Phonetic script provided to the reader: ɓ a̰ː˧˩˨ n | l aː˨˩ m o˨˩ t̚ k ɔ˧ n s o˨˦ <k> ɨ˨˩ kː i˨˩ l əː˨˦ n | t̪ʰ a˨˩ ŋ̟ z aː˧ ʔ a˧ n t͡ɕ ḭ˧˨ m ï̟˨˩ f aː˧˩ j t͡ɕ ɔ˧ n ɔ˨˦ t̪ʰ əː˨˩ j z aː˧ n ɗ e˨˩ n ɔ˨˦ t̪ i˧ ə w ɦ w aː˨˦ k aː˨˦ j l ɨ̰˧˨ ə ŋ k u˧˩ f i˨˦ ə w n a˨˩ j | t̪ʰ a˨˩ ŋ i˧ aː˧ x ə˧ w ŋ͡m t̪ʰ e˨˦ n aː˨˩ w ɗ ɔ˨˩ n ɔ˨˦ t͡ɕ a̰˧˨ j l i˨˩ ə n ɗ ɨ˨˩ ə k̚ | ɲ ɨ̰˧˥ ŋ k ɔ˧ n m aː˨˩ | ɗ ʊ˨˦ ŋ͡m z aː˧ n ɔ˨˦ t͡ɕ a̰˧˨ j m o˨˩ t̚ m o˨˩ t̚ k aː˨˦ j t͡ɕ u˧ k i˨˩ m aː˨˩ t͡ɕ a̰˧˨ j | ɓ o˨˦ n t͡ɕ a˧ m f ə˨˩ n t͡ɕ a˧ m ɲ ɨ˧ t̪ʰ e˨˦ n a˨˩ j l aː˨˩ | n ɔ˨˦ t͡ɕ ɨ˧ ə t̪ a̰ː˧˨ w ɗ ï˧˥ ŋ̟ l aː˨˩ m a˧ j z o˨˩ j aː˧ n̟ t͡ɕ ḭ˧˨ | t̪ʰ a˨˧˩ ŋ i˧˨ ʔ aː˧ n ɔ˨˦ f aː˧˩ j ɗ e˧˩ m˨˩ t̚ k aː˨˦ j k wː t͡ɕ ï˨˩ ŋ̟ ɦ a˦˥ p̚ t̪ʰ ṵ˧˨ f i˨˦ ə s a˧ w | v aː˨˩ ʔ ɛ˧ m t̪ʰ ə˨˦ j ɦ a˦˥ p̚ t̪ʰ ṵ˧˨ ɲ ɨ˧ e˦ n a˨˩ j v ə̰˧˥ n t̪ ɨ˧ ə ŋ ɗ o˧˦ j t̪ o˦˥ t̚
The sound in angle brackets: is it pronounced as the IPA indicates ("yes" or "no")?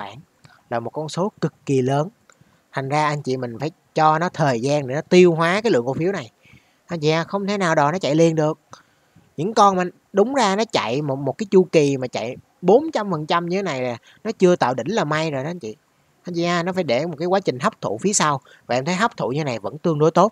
yes